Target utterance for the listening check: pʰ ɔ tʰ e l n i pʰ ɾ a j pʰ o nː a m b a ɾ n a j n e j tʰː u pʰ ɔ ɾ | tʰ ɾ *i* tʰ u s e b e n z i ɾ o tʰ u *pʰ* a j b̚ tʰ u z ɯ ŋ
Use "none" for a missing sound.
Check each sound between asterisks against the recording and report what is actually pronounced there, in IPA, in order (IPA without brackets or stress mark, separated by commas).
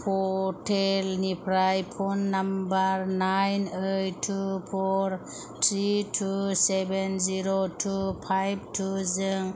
i, pʰ